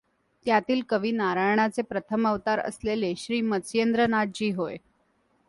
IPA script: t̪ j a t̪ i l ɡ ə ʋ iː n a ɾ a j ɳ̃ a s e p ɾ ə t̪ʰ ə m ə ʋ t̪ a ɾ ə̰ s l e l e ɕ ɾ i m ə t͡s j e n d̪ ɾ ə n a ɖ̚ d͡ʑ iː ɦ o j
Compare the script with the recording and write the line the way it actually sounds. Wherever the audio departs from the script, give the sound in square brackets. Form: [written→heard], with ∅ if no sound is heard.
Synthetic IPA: t̪ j a t̪ [i→iː] l [ɡ→k] ə ʋ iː n a ɾ a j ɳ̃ a [s→t͡s] e p ɾ ə t̪ʰ ə m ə ʋ t̪ a ɾ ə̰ s l e l e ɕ ɾ [i→iː] m ə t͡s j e n d̪ ɾ ə n a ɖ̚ d͡ʑ iː ɦ o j